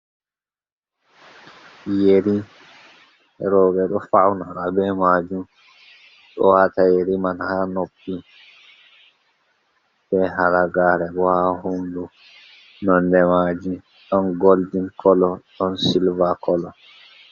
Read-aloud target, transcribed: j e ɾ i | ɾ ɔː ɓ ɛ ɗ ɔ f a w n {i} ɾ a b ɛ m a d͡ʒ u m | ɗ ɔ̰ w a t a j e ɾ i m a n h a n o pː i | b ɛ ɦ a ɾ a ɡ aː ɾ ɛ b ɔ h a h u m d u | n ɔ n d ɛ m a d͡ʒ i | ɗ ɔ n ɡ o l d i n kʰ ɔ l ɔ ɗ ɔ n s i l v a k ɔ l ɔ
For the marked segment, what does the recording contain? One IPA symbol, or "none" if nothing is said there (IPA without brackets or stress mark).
a